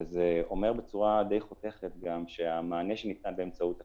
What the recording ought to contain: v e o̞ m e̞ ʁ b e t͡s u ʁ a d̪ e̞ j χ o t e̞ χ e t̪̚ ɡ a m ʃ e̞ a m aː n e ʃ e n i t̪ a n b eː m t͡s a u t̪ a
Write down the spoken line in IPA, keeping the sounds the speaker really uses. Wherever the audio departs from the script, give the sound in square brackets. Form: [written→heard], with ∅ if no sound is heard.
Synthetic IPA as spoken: [v→z] e o̞ m e̞ ʁ b e t͡s u ʁ a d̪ e̞ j χ o t e̞ χ e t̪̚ ɡ a m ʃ e̞ a m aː n e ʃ e n i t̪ a n b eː m t͡s a u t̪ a